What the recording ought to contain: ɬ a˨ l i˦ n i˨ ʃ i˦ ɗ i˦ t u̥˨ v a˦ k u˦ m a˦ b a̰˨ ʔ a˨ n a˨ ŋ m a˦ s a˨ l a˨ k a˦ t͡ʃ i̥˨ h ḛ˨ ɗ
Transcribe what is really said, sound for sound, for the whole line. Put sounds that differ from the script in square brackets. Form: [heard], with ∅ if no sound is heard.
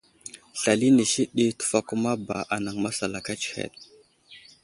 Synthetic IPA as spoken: ɬ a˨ l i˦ n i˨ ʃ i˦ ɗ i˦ t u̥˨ [f] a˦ k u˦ m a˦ b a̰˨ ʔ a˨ n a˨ ŋ m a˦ s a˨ l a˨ k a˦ t͡ʃ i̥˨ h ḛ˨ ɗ